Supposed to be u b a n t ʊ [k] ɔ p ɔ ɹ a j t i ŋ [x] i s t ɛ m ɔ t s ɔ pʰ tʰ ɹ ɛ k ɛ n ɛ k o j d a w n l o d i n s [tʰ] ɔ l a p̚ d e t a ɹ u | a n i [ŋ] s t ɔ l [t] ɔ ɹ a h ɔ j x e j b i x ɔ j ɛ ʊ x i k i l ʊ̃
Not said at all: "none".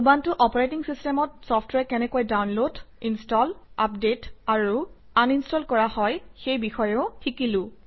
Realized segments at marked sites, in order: ʔ, s, t, n, k

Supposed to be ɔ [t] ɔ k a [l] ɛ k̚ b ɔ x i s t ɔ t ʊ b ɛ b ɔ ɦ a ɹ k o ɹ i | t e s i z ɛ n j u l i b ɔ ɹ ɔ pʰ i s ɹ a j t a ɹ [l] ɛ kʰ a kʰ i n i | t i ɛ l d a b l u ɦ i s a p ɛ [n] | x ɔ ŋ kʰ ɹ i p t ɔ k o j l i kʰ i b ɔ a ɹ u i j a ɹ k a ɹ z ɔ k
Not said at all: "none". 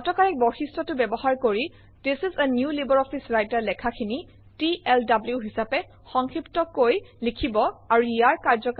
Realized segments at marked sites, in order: t, ɹ, l, none

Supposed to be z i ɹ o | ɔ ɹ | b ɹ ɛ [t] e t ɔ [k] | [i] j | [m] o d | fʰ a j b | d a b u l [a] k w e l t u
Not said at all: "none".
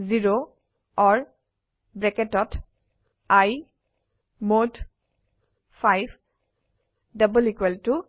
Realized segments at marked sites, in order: k, t, a, m, i

